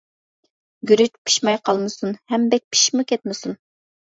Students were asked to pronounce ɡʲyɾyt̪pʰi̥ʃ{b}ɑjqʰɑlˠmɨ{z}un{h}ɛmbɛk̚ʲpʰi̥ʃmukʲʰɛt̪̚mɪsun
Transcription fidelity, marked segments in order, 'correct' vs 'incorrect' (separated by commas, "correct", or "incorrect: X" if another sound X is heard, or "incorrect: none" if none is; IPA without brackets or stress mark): incorrect: m, incorrect: s, correct